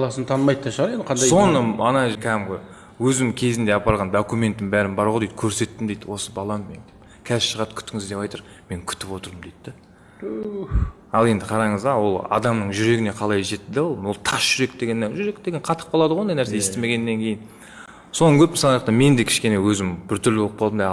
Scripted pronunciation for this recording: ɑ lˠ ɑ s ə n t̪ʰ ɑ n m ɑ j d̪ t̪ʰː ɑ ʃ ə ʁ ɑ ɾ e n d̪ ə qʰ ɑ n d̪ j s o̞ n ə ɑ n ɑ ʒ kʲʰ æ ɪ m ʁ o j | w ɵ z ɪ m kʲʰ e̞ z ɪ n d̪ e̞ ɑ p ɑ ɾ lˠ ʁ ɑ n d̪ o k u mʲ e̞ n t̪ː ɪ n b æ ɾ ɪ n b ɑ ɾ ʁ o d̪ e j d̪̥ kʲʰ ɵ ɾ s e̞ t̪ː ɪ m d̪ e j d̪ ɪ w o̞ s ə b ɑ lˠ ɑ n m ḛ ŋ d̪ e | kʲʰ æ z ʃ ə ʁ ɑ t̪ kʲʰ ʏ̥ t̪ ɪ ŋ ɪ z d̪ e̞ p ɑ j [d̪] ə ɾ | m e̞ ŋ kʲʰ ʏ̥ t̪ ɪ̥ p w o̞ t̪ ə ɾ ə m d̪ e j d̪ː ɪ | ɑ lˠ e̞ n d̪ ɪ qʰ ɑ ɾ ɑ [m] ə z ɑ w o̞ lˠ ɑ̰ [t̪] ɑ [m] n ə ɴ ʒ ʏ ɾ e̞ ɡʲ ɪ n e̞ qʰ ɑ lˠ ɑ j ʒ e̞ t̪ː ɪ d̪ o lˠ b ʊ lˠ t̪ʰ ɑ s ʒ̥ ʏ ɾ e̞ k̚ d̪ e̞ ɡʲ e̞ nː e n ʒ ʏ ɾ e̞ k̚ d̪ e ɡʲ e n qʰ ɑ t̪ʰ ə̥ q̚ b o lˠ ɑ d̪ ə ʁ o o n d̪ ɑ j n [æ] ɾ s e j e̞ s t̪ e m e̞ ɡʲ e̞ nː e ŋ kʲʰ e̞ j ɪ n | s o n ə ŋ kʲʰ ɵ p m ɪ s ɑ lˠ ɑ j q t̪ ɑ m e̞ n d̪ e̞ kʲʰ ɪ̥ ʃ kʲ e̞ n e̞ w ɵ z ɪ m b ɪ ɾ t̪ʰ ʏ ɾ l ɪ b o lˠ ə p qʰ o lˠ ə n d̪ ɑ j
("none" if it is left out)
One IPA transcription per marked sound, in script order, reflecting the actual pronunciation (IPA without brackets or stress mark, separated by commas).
t̪, ɴ, d̪, m, æ